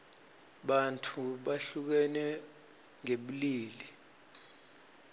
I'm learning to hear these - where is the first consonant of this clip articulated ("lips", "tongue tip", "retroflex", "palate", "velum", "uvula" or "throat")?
lips